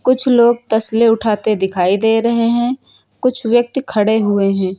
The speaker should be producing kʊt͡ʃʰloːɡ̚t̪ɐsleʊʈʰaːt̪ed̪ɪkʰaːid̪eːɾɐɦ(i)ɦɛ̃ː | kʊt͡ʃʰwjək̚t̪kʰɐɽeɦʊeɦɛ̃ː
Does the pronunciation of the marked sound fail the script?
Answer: yes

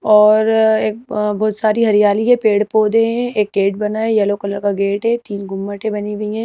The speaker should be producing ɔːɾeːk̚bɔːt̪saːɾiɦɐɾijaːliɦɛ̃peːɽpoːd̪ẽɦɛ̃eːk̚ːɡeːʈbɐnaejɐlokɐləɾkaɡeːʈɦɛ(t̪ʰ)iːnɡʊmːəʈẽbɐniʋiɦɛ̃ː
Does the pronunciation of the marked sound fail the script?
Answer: yes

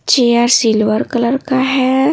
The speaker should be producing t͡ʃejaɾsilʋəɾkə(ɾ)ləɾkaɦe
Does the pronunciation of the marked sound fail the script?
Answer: yes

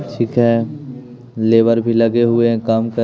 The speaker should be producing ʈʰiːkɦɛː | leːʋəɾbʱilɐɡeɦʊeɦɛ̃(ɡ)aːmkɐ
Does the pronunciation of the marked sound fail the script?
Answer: yes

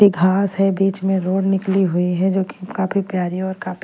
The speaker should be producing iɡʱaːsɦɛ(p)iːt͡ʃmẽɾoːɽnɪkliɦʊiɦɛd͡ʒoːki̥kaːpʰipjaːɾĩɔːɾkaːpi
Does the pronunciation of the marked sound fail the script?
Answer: yes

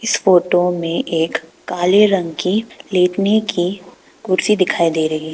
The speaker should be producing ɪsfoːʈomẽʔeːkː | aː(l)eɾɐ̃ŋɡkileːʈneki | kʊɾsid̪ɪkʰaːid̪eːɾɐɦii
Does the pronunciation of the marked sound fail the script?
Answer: no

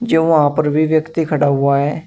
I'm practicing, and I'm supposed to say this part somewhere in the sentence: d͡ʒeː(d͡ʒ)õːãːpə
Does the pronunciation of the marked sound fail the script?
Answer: yes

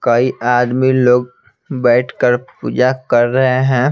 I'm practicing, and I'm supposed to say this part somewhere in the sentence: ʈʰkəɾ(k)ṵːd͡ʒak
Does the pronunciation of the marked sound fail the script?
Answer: yes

